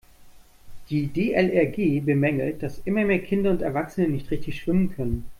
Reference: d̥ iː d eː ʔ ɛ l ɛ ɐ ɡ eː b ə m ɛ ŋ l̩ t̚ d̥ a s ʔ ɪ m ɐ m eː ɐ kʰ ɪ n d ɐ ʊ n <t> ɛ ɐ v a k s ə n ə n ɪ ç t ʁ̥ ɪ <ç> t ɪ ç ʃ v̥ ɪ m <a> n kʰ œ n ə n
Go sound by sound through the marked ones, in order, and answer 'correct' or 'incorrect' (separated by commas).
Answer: correct, correct, incorrect